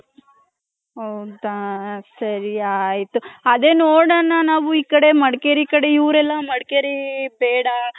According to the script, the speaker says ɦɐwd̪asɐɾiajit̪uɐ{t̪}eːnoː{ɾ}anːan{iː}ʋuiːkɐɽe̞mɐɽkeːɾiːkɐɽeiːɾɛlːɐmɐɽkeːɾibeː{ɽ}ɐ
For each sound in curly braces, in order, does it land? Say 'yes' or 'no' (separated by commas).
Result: no, no, no, yes